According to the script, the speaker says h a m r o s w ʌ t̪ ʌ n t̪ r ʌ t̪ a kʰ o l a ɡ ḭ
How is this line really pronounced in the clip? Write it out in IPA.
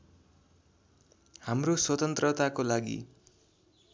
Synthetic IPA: h a m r o s w ʌ t̪ ʌ n t̪ r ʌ t̪ a k o l a ɡ ḭ